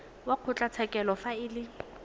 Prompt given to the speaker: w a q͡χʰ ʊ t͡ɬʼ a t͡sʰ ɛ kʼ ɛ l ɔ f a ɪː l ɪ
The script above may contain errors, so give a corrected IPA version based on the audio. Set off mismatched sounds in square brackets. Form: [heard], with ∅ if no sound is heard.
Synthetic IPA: w a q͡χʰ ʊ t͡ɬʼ a t͡sʰ ɛ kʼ ɛ l ɔ f a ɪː l ɪ

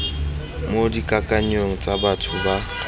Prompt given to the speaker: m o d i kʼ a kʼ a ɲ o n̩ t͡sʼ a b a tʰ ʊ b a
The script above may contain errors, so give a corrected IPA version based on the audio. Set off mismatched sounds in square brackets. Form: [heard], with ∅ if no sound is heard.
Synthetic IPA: m o d i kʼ a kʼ a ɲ o [ŋ̩] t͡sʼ a b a tʰ ʊ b a

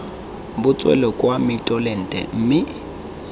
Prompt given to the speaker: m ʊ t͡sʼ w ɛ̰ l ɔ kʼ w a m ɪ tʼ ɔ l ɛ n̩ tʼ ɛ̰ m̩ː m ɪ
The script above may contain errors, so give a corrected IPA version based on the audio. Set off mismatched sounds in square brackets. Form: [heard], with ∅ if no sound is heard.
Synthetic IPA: [b] ʊ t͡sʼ w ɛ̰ l ɔ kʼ w a m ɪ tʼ ɔ l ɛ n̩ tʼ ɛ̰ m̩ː m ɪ

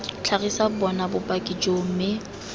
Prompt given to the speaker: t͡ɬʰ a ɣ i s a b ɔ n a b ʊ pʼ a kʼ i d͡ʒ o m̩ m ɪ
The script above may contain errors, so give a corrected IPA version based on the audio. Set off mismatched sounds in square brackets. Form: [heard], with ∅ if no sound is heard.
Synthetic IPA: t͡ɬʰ a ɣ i s a b ɔ n a b ʊ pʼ a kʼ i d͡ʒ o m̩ m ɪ

